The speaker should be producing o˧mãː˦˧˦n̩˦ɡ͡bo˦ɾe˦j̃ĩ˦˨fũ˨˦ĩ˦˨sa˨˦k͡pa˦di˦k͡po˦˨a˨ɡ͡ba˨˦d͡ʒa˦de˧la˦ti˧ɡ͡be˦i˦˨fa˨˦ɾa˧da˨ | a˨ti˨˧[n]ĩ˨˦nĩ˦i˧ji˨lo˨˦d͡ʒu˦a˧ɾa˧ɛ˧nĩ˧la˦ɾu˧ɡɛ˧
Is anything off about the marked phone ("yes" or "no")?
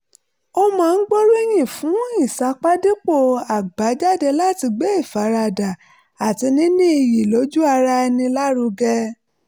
no